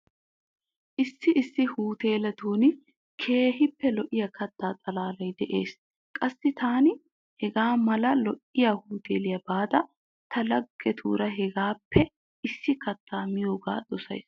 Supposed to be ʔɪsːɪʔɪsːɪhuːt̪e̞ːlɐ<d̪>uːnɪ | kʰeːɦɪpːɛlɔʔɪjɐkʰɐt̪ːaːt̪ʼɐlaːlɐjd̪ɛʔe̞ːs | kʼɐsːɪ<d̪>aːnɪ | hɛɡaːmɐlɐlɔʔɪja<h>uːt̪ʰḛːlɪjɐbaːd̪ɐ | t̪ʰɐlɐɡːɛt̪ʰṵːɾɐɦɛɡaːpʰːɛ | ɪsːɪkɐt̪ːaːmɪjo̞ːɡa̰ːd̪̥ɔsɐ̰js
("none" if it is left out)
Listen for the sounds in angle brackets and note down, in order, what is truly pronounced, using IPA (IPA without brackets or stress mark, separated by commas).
t̪, t̪, h